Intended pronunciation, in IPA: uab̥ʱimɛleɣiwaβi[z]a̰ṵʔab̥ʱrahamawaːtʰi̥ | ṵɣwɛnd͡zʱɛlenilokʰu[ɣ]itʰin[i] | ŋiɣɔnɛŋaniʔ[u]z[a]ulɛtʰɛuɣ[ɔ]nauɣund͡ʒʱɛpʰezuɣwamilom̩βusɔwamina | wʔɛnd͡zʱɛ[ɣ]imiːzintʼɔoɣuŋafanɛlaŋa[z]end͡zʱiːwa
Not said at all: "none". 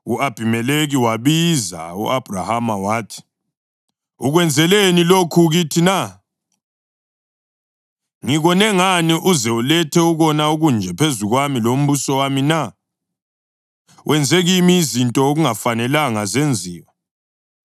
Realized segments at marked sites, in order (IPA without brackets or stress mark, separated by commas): z, ɣ, a, u, ɛ, ɔ, ɣ, z